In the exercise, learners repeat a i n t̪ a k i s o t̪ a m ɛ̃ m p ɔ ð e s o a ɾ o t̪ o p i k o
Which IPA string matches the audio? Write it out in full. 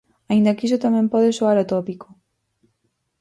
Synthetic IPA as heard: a i n d̪ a k i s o t̪ a m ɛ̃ m p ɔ ð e s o a ɾ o t̪ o p i k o